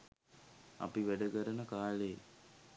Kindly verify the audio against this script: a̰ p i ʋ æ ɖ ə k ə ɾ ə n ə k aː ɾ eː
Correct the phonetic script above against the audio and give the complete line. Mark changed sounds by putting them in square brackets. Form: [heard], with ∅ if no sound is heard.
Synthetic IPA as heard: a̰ p i ʋ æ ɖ ə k ə ɾ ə n ə k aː [l] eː